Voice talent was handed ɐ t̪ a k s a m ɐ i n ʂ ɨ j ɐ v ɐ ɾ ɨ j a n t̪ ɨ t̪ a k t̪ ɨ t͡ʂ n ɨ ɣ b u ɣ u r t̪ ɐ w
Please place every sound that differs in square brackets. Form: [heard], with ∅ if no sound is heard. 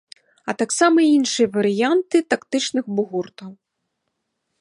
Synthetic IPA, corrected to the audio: ɐ t̪ a k s a m ɐ i n ʂ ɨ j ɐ v ɐ ɾ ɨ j a n t̪ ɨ t̪ a k t̪ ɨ t͡ʂ n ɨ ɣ b u ɣ u r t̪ ɐ w